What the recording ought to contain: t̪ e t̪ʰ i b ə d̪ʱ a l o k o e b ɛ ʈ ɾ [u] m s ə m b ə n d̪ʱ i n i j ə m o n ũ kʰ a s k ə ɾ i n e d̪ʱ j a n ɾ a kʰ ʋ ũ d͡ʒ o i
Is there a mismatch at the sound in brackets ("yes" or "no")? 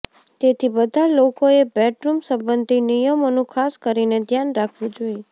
no